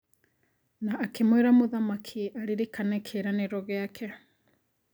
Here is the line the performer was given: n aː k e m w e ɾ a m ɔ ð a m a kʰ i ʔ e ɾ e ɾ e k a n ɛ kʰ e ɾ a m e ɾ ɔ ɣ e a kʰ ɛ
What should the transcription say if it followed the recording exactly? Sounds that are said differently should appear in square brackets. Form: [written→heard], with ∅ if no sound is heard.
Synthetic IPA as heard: n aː k e m w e ɾ a m [ɔ→o] ð a m a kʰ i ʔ [e→a] ɾ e ɾ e k a n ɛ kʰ e ɾ a [m→n] e ɾ ɔ ɣ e a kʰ ɛ